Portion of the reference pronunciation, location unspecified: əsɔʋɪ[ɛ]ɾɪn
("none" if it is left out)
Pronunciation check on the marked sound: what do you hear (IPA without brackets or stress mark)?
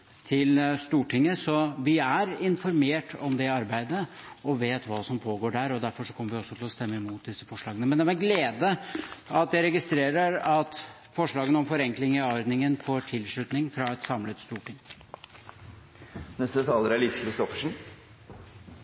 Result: æ